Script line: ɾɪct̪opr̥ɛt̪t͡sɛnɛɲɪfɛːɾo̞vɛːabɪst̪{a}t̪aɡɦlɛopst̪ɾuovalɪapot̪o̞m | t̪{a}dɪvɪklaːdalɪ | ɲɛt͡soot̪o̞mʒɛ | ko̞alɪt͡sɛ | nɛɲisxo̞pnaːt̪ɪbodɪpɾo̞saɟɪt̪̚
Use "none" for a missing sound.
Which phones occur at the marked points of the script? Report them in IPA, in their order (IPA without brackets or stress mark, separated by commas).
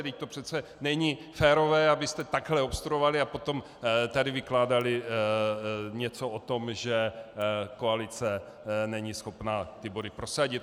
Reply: ɛ, a